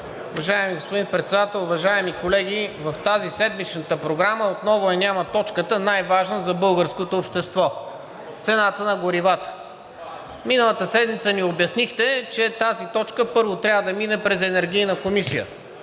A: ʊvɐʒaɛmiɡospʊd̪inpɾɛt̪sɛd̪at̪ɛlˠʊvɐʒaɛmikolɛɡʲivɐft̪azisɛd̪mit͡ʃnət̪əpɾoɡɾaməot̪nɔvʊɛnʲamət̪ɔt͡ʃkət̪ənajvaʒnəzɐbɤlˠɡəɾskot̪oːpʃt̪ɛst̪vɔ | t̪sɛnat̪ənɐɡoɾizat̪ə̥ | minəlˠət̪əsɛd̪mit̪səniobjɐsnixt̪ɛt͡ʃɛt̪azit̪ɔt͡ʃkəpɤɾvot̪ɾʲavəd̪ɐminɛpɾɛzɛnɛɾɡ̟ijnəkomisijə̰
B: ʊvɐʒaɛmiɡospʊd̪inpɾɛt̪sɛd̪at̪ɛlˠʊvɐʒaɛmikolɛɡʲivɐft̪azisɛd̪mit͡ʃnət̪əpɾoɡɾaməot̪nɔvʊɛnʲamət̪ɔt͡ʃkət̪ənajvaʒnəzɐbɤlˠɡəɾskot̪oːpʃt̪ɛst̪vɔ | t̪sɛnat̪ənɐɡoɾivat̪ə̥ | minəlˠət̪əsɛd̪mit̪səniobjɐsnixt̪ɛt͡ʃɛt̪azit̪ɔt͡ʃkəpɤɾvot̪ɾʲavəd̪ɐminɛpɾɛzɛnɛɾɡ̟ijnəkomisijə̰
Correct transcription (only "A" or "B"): B